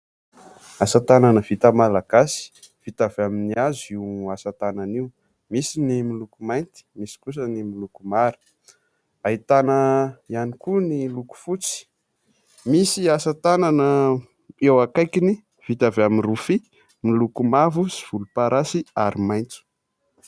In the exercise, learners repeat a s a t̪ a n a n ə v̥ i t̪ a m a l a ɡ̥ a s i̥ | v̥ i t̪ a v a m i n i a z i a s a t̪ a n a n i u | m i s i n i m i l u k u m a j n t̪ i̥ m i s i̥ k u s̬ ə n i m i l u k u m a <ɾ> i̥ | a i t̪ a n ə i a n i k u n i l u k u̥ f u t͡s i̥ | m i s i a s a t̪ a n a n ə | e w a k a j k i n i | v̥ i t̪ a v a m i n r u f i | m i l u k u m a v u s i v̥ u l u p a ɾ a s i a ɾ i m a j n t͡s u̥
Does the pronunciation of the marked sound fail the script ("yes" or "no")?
no